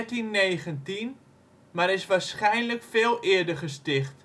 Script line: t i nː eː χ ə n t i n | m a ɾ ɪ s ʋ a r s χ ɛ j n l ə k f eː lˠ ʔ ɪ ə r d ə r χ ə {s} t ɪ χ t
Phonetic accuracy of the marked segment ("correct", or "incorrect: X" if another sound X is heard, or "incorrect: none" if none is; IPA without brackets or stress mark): correct